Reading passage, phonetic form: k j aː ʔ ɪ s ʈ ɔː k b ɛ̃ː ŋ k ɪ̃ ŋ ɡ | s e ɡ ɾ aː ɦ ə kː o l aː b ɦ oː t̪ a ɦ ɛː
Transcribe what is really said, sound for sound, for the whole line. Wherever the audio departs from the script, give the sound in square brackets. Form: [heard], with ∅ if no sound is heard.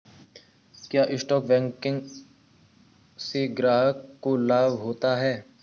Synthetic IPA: k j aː ʔ ɪ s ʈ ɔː k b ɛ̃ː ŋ k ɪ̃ ŋ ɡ | s e ɡ ɾ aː ɦ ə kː o l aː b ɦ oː t̪ a ɦ ɛː